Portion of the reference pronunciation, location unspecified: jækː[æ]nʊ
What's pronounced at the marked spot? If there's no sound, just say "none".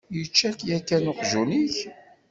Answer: æ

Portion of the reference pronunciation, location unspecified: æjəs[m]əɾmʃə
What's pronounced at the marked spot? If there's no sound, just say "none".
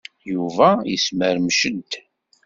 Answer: m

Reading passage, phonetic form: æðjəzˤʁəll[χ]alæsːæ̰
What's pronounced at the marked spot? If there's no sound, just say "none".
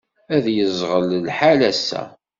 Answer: ħ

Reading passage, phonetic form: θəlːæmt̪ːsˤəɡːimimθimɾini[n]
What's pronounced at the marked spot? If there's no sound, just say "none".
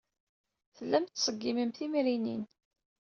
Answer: n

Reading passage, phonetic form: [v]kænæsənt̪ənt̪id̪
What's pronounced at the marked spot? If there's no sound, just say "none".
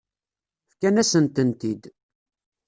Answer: f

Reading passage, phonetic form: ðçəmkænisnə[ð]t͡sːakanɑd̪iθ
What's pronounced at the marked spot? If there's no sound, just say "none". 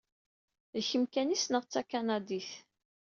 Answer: ʁ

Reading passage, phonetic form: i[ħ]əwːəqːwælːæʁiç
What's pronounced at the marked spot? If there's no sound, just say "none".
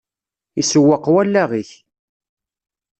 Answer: s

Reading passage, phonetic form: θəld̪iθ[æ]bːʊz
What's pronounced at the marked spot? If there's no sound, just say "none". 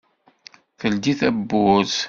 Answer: æ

